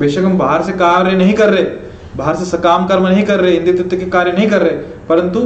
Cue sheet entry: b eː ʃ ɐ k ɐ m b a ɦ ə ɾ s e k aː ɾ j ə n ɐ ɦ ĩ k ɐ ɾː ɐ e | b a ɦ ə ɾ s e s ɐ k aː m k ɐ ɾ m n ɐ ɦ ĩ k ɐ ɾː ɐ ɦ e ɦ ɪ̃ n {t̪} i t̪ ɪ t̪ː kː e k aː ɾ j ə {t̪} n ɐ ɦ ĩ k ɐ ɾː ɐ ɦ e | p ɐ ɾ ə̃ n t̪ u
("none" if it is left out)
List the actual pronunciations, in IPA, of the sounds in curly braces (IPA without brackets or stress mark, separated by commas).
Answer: d̪, none